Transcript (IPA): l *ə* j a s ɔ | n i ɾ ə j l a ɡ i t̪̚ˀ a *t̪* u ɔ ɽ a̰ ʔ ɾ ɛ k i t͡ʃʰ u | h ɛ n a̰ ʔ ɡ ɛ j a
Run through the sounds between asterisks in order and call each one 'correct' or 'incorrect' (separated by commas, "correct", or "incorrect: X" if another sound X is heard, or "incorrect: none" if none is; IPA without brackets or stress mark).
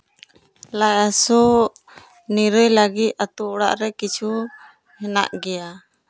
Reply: incorrect: a, correct